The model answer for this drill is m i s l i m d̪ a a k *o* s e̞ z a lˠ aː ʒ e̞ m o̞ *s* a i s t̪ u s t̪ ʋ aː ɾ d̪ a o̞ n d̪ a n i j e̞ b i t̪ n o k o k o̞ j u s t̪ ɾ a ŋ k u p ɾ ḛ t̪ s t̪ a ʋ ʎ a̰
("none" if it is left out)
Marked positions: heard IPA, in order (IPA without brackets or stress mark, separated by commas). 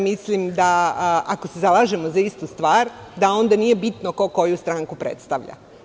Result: o, z